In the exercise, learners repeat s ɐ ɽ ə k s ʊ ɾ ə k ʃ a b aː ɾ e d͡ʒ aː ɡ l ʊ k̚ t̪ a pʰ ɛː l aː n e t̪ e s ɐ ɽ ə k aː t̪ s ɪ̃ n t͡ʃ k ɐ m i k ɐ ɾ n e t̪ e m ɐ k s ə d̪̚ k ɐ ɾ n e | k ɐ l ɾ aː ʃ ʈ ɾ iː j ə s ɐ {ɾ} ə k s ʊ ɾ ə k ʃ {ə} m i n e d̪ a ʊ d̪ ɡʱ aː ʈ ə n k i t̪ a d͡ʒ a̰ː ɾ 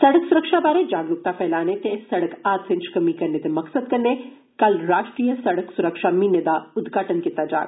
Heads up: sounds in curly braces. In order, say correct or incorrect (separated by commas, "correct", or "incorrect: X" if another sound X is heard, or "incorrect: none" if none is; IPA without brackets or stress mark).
incorrect: ɽ, incorrect: a